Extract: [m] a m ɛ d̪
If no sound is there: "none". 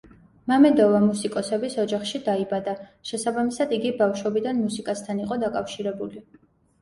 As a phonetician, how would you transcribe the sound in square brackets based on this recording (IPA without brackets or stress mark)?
m